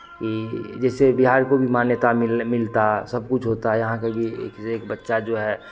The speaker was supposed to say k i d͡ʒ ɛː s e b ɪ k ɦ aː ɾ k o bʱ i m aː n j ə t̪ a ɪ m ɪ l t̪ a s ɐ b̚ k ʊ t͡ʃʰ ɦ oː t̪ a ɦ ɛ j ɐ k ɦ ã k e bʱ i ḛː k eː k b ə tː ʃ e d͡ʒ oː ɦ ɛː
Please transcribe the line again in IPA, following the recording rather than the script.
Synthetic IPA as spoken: k i d͡ʒ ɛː s e b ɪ ɦ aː ɾ k o bʱ i m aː n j ə t̪ a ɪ m ɪ l t̪ a s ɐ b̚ k ʊ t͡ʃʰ ɦ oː t̪ a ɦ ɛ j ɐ ɦ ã k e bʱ i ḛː k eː k b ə tː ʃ a d͡ʒ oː ɦ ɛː

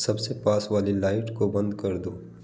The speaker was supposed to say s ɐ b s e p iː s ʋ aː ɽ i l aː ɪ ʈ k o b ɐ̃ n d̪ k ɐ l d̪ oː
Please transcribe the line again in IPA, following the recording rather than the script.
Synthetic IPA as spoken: s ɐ b s e p aː s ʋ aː l i l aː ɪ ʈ k o b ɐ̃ n d̪ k ɐ ɾ d̪ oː

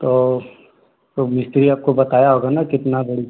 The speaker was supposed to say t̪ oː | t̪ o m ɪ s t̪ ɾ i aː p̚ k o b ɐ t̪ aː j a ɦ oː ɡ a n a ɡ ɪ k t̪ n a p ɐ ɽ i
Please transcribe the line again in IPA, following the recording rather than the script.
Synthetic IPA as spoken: t̪ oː | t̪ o m ɪ s t̪ ɾ i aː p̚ k o b ɐ t̪ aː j a ɦ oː ɡ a n a k ɪ t̪ n a b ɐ ɽ i

